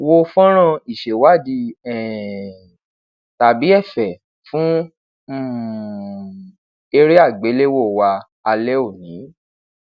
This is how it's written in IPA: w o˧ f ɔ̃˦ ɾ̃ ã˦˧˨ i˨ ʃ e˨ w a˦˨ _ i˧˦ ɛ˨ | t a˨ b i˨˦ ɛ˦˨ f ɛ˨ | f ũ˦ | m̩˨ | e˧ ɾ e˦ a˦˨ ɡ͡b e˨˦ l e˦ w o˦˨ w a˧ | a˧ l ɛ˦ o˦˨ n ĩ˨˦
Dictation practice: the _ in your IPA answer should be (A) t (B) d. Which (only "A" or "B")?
B